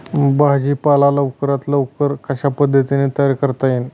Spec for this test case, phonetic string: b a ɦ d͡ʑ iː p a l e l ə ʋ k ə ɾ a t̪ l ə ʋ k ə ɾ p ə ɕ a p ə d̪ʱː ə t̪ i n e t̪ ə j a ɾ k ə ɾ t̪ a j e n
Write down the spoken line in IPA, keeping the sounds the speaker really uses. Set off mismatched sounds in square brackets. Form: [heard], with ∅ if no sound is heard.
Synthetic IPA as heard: b a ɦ d͡ʑ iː p a l [a] l ə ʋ k ə ɾ a t̪ l ə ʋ k ə ɾ [k] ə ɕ a p ə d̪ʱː ə t̪ i n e t̪ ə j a ɾ k ə ɾ t̪ a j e n